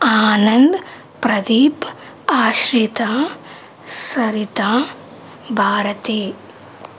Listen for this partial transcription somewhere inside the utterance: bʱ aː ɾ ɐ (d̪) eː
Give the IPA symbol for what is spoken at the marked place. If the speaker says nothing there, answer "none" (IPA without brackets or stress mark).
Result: t̪